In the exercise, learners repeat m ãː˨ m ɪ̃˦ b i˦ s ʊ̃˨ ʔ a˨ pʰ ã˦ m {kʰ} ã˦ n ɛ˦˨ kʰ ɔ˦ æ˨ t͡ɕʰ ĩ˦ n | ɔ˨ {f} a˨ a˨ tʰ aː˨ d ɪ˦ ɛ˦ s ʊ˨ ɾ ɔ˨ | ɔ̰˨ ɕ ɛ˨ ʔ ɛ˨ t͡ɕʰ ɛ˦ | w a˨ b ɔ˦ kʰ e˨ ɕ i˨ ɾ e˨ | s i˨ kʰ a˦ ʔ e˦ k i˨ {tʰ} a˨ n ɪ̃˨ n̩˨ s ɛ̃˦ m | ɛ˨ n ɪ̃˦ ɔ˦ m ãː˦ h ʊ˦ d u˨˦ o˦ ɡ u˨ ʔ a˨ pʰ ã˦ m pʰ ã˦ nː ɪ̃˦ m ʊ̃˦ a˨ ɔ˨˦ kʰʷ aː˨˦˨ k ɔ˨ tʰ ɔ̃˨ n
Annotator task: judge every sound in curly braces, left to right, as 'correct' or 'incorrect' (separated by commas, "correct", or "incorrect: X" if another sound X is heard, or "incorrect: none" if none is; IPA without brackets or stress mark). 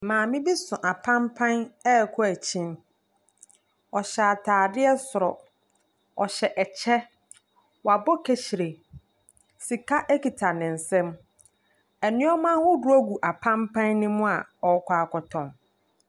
incorrect: pʰ, incorrect: ɕ, correct